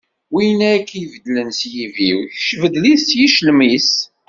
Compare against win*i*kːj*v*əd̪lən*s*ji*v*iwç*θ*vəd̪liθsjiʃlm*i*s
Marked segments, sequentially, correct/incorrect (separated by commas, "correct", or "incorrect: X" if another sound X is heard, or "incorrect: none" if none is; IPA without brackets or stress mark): incorrect: æ, correct, correct, correct, incorrect: ʃ, correct